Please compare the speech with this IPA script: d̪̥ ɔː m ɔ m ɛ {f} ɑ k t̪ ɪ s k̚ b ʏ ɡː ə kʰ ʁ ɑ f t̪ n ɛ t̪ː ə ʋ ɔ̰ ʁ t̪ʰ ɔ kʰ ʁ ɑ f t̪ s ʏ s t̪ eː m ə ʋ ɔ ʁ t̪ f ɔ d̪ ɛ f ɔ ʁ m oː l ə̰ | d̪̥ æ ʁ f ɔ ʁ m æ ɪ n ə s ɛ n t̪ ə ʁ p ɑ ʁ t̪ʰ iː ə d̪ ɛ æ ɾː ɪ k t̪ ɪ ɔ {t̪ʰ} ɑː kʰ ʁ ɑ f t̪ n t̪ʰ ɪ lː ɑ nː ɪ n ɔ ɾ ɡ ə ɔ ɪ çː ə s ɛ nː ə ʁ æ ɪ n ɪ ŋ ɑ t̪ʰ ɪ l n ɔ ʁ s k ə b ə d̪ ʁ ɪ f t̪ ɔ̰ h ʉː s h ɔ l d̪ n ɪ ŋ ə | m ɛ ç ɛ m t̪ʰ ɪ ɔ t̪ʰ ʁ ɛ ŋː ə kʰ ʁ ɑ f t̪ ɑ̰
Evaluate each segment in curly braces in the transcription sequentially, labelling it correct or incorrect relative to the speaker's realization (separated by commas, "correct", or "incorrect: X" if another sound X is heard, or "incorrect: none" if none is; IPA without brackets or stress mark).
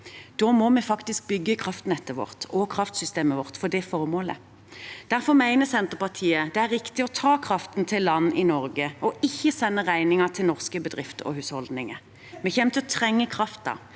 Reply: correct, correct